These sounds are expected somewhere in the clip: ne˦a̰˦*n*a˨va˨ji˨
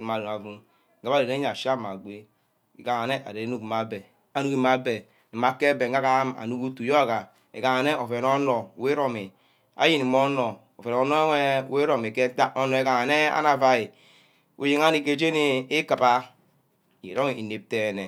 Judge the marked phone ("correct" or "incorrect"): correct